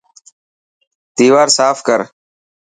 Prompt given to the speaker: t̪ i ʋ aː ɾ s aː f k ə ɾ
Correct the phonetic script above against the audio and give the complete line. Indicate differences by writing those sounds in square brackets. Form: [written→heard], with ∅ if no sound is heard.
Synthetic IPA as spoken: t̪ [i→iː] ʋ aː ɾ s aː f k ə ɾ